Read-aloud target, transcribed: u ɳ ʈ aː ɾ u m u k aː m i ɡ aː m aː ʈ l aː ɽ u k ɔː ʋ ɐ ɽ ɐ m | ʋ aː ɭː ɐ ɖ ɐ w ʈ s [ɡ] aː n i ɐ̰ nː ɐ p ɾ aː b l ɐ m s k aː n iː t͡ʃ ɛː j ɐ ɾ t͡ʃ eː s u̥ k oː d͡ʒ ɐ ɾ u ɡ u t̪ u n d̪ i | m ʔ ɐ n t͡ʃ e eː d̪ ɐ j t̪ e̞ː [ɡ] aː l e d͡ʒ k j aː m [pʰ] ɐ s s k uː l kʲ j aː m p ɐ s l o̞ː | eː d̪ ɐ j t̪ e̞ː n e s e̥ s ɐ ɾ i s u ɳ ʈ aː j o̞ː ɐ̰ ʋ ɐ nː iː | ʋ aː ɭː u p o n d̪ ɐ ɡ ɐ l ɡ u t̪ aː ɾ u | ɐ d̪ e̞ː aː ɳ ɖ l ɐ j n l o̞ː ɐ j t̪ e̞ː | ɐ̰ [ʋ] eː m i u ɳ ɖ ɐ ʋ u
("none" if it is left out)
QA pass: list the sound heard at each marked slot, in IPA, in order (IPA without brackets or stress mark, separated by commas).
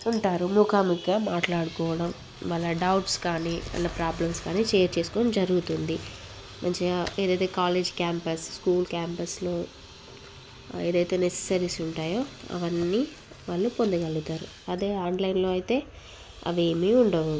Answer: k, k, p, ʋ